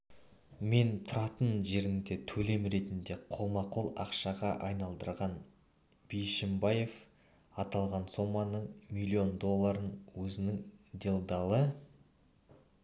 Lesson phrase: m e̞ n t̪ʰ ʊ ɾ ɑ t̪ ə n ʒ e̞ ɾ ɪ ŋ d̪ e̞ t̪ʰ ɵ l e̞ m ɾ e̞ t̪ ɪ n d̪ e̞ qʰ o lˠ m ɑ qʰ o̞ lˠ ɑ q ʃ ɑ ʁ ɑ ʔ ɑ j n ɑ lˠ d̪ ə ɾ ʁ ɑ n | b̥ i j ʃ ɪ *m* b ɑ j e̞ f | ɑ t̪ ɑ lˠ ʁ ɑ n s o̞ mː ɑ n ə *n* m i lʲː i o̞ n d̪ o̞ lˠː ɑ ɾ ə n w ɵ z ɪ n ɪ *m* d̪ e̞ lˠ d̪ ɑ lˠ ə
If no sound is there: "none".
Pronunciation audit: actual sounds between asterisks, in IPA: m, ɴ, ŋ

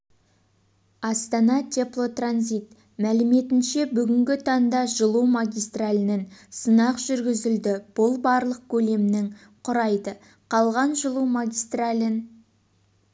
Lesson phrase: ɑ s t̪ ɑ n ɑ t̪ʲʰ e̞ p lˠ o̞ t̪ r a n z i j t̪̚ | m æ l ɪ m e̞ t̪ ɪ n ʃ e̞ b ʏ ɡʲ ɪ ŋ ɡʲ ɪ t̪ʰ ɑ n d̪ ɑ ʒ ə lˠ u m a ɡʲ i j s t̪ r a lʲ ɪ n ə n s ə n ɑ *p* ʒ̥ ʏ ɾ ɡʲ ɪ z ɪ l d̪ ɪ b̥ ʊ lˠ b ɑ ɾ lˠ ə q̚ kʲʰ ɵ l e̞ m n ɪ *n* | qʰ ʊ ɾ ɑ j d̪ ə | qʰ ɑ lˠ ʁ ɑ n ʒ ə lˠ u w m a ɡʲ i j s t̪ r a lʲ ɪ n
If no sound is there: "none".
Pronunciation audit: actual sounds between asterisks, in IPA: q, ŋ

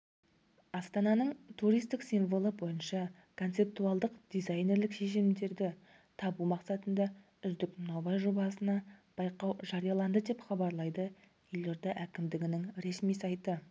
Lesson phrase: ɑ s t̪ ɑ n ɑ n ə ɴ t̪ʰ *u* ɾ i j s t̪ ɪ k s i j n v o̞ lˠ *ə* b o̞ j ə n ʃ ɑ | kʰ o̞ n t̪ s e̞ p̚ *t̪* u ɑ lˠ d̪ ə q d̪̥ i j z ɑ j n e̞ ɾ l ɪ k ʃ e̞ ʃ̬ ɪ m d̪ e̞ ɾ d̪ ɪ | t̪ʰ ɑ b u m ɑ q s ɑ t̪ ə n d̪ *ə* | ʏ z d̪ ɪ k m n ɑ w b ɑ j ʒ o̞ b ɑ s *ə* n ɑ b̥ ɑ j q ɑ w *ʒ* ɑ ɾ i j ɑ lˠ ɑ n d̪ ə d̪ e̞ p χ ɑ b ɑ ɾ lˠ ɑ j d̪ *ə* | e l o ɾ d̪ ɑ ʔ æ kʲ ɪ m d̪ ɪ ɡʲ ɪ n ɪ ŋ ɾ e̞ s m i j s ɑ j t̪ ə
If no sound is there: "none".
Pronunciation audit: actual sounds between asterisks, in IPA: u, ə, t̪, ɑ, ə, ʒ, ə

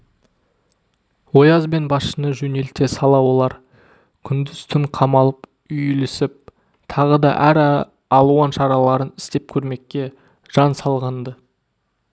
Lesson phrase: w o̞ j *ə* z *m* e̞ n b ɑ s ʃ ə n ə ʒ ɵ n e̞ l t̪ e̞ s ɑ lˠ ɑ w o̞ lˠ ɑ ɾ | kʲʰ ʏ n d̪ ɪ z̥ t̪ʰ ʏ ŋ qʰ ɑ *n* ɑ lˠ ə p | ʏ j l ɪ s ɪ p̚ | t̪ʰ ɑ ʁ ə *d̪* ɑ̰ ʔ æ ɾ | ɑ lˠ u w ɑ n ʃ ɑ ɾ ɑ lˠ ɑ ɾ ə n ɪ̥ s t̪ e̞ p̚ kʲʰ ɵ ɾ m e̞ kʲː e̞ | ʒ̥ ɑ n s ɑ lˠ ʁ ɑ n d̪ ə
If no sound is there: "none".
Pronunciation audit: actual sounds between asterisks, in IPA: ɑ, b, m, d̪

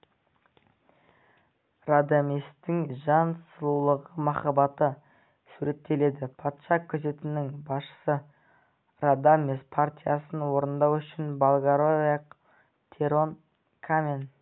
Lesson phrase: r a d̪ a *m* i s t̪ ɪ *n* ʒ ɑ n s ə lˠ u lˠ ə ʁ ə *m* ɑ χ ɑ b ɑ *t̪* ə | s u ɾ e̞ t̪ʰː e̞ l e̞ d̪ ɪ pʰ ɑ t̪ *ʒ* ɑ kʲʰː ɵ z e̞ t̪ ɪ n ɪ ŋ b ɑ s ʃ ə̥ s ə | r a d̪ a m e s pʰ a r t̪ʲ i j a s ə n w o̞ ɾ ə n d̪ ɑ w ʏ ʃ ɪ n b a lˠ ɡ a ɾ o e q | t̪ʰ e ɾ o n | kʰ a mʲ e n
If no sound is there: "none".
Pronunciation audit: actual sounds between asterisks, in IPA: m, ŋ, m, t̪, ʃ

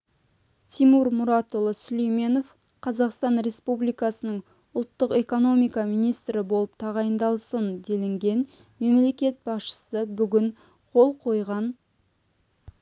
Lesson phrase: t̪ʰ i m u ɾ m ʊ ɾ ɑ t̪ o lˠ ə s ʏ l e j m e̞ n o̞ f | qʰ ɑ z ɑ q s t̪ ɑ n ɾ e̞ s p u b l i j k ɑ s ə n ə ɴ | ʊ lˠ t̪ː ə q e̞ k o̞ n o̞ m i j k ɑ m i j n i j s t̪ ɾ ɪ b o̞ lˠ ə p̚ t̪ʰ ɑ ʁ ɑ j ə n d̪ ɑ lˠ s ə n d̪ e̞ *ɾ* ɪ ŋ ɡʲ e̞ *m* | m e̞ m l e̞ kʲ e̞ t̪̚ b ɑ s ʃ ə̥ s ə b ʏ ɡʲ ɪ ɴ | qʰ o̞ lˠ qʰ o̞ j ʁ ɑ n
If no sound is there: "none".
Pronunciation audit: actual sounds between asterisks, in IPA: l, n

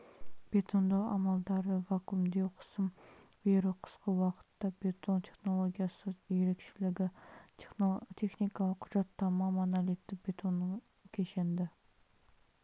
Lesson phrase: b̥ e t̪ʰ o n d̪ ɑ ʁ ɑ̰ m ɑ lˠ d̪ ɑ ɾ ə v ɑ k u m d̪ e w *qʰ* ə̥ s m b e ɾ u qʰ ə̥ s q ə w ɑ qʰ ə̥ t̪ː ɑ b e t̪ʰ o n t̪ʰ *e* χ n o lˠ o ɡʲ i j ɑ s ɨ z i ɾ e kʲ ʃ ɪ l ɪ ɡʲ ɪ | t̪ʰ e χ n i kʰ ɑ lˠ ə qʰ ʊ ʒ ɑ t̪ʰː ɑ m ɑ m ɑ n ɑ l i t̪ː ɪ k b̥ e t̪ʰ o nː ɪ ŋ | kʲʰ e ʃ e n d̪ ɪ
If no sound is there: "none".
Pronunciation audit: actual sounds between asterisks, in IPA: qʰ, e

